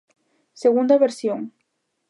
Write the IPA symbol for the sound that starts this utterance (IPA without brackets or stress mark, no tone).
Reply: s